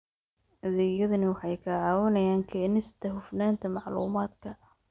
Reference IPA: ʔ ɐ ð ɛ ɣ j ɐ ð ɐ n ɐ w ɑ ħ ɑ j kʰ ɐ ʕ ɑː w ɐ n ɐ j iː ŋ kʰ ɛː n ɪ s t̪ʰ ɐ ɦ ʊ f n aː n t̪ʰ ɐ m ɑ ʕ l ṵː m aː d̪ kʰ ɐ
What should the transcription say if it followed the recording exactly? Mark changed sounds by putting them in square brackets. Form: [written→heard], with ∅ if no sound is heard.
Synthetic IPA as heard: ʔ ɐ ð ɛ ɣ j ɐ ð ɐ n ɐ w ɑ ħ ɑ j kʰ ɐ ʕ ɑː w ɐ n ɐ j [iː→aː] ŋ kʰ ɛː n ɪ s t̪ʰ ɐ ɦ ʊ f n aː n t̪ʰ ɐ m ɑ ʕ l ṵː m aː d̪ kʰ ɐ